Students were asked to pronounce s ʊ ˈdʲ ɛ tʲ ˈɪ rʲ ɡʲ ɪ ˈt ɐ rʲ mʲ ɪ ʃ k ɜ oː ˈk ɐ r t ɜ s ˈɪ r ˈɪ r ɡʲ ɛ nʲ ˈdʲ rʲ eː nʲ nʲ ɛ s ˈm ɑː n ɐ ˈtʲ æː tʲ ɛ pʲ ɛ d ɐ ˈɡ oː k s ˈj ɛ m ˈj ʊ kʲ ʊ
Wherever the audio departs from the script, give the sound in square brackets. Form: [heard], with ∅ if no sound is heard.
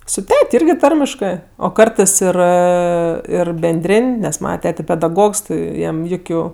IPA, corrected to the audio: s ʊ [ˈtʲ] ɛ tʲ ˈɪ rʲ ɡʲ ɪ ˈt ɐ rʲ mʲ ɪ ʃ k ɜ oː ˈk ɐ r t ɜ s ˈɪ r ˈɪ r [bʲ] ɛ nʲ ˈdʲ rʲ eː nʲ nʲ ɛ s ˈm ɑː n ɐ ˈtʲ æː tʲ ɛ pʲ ɛ d ɐ ˈɡ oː k s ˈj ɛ m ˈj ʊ kʲ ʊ

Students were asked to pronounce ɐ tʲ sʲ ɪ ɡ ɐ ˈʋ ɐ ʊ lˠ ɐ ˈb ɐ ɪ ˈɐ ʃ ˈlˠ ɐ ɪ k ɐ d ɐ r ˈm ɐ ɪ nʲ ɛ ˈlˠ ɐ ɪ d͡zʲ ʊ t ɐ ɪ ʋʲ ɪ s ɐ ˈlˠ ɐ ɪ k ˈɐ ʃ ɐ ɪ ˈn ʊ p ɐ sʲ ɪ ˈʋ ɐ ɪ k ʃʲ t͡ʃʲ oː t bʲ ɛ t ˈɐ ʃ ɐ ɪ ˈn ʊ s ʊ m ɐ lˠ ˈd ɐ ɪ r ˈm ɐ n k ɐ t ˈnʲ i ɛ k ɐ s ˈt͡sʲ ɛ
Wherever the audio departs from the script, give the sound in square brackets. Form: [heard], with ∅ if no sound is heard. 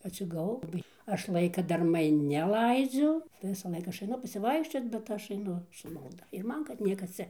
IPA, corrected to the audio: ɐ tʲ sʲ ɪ ɡ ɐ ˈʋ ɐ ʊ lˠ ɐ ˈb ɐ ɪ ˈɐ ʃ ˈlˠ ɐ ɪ k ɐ d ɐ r ˈm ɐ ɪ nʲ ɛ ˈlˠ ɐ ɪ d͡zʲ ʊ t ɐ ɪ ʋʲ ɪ s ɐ ˈlˠ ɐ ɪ k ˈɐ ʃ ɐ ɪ ˈn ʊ p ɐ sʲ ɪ ˈʋ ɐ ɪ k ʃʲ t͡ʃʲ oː t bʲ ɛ t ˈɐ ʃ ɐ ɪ ˈn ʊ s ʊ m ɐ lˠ ˈd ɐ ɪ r ˈm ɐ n k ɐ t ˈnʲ i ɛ k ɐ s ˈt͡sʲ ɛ

